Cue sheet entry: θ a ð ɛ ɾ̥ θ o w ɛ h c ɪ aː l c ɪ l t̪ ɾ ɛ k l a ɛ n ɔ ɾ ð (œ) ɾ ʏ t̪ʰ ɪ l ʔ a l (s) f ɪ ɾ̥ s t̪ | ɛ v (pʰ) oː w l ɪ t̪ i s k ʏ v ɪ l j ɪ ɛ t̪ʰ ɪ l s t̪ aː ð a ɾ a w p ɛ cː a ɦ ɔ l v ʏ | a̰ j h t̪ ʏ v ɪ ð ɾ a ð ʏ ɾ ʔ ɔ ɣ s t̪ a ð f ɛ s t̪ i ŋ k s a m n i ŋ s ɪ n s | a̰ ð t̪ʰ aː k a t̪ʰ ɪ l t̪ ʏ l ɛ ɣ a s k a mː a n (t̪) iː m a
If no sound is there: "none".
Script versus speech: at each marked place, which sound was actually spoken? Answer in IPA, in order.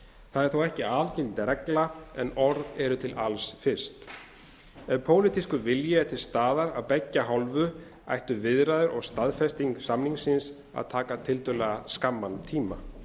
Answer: ɛ, s, pʰ, t̪ʰ

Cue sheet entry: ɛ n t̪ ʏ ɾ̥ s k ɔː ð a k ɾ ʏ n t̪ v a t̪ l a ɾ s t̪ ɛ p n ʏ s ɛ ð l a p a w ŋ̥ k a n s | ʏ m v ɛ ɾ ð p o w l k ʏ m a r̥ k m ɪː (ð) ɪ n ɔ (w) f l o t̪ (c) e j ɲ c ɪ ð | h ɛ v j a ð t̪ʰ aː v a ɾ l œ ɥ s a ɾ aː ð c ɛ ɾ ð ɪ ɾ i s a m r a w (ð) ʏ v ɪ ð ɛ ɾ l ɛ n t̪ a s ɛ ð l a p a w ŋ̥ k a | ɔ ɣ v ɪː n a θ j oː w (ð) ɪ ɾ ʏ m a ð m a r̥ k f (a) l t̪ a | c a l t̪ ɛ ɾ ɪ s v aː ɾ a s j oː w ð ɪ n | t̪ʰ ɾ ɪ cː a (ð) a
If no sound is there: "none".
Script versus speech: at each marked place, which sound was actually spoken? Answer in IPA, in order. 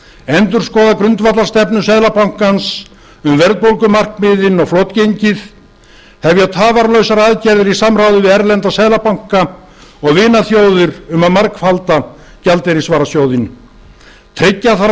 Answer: ð, ɣ, c, ð, ð, a, θ

